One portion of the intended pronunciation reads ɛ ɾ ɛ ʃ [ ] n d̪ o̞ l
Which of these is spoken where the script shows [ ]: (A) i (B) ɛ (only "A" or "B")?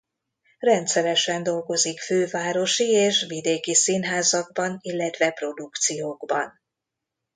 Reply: B